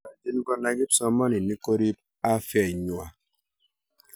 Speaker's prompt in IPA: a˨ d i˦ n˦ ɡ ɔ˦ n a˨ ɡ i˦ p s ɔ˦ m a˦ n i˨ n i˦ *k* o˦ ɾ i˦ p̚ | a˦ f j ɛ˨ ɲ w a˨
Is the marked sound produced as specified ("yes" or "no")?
yes